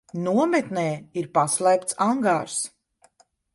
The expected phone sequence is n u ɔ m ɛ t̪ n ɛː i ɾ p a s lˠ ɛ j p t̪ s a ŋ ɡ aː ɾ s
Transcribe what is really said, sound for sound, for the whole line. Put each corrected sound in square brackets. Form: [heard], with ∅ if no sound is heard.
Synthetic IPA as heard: n u ɔ m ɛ t̪ n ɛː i ɾ p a s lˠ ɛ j p t̪ s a ŋ ɡ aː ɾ s